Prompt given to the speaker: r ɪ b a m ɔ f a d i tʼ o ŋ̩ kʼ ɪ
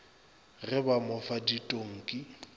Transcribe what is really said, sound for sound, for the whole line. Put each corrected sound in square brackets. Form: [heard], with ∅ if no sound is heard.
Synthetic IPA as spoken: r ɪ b a m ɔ f a d i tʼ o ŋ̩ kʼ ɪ